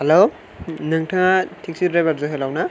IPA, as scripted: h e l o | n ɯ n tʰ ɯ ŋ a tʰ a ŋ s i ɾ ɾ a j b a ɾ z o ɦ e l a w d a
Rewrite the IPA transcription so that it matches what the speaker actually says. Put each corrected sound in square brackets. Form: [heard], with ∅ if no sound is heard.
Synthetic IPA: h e l o | n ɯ [ŋ] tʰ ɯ ŋ a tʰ [i] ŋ s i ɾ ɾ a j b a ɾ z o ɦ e l a w [n] a